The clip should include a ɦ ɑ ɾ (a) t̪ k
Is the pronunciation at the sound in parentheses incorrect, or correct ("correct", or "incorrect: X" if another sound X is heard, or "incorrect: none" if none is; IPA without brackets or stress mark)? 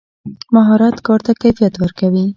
incorrect: ɑ